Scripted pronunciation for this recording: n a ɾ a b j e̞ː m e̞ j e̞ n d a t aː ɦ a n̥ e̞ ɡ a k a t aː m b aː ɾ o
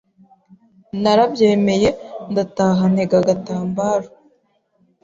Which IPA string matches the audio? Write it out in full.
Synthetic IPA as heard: n a ɾ a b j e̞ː m e̞ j e̞ n d a t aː ɦ a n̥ e̞ ɡ a ɡ a t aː m b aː ɾ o